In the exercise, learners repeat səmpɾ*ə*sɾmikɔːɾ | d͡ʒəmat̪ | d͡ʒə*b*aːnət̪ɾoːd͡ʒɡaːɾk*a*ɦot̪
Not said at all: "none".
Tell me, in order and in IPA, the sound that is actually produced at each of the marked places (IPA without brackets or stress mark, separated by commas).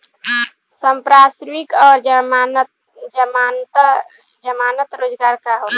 a, m, a